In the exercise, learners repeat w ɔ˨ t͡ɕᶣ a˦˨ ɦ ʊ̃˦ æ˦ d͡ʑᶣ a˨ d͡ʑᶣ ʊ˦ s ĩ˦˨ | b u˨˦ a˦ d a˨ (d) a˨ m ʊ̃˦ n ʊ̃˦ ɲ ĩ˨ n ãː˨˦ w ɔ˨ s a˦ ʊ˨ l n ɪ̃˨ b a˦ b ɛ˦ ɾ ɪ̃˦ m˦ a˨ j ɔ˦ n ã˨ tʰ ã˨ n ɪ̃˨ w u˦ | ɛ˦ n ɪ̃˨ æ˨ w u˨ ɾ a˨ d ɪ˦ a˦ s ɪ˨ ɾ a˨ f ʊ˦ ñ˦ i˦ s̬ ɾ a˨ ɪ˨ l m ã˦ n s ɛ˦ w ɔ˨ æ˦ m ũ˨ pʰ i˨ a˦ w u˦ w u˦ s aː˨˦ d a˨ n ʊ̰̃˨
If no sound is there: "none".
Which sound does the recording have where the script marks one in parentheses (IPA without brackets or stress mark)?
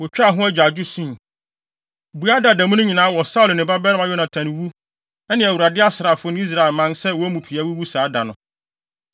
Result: d